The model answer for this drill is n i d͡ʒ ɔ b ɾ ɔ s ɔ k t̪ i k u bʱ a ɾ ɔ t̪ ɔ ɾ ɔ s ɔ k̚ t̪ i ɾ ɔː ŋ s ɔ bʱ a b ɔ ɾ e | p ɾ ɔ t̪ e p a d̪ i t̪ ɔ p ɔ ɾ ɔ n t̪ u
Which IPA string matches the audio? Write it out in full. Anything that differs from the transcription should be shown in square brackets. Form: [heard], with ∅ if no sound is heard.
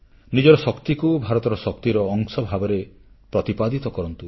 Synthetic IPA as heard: n i d͡ʒ ɔ [∅] ɾ ɔ s ɔ k t̪ i k u bʱ a ɾ ɔ t̪ ɔ ɾ ɔ s ɔ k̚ t̪ i ɾ ɔː ŋ s ɔ bʱ a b ɔ ɾ e | p ɾ ɔ t̪ [i] p a d̪ i t̪ ɔ [k] ɔ ɾ ɔ n t̪ u